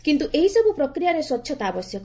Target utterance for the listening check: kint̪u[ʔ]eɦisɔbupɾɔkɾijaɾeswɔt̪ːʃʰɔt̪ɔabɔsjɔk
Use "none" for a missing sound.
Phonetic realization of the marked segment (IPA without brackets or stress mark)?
ʔ